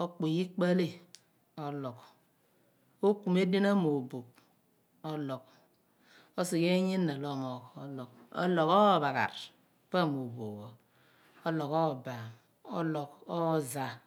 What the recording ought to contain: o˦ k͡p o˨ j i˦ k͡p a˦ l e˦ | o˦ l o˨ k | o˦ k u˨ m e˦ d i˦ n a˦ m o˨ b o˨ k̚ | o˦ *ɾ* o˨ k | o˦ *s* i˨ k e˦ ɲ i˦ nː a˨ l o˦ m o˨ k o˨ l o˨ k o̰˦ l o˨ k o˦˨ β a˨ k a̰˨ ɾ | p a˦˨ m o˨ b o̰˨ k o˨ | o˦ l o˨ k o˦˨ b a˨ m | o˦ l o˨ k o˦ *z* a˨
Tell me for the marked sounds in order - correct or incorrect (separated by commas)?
incorrect, correct, correct